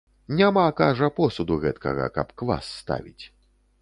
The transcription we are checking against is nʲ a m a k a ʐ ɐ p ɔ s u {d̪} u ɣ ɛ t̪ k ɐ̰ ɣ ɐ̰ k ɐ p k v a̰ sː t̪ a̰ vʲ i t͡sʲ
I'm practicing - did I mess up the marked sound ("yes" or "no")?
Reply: no